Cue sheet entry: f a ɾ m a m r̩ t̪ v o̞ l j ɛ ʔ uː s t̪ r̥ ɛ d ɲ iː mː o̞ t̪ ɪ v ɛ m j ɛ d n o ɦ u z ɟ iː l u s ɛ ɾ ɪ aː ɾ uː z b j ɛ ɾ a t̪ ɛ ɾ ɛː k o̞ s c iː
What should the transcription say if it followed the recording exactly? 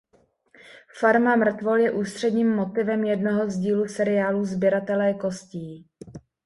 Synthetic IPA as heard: f a ɾ m a m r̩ t̪ v o̞ l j ɛ ʔ uː s t̪ r̥ ɛ d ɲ iː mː o̞ t̪ ɪ v ɛ m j ɛ d n o ɦ o z ɟ iː l u s ɛ ɾ ɪ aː l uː z b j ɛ ɾ a t̪ ɛ l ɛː k o̞ s c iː